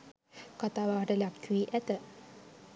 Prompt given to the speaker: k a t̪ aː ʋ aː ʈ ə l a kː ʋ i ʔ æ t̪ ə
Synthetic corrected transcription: k a t̪ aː ʋ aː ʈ ə l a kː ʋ i ʔ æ t̪ ə